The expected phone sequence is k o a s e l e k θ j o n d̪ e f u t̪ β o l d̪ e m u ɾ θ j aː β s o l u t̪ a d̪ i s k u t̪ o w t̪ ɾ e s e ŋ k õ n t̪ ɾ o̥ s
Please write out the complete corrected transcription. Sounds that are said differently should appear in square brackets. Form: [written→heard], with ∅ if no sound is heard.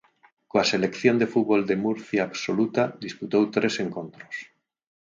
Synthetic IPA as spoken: k o a s e l e k θ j o n d̪ e f u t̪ β o l d̪ e m u ɾ θ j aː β s o l u t̪ a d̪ i s [k→p] u t̪ o w t̪ ɾ e s e ŋ k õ n t̪ ɾ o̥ s